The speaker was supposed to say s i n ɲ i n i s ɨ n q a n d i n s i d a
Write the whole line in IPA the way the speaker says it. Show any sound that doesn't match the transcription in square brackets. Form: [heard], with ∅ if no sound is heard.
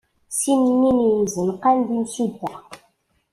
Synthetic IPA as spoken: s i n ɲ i n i [z] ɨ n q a n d i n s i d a